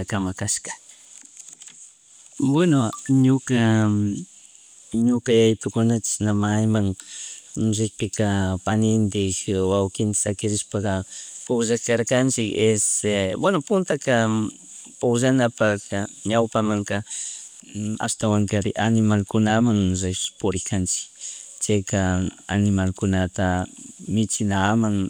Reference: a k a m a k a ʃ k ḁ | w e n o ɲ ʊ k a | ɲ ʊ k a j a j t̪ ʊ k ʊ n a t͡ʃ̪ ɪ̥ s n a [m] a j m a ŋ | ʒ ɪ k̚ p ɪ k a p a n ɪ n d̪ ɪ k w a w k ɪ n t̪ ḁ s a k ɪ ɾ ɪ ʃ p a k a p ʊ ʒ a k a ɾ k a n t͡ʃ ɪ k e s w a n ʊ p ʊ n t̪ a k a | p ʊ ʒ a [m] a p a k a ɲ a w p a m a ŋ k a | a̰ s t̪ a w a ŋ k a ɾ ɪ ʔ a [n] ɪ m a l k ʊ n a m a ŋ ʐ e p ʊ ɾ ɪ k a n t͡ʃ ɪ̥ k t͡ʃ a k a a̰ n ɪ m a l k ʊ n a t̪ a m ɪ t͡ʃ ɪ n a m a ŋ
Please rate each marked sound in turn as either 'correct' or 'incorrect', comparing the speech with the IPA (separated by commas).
correct, incorrect, correct